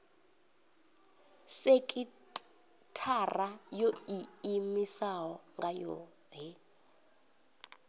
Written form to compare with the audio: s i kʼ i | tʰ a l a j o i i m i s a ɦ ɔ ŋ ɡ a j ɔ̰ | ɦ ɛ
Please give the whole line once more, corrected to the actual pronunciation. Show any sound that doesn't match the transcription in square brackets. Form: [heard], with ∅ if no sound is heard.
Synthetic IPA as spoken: s [e] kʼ i | tʰ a [r] a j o i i m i s a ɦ ɔ ŋ ɡ a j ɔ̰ | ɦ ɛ